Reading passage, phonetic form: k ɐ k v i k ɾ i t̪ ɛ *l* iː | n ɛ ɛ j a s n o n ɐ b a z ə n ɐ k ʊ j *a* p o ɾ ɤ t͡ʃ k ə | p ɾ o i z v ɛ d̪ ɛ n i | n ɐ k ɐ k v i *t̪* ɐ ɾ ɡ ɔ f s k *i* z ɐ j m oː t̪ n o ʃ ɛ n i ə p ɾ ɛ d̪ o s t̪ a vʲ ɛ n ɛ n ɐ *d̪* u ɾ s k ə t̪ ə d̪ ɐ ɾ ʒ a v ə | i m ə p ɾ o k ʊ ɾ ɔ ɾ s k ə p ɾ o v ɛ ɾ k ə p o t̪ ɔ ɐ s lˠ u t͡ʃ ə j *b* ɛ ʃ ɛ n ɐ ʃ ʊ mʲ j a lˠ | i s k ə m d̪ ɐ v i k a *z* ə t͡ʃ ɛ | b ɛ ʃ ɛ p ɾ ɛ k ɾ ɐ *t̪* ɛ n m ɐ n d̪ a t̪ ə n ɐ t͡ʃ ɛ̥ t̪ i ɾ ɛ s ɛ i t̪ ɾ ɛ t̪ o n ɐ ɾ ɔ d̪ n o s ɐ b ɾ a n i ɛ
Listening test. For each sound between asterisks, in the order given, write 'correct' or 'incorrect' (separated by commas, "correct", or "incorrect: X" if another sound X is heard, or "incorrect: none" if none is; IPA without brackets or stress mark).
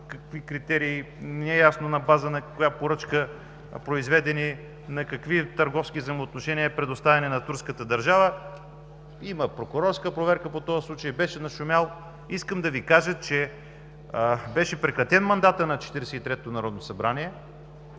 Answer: incorrect: ɾ, correct, correct, correct, incorrect: t̪, correct, incorrect: ʒ, correct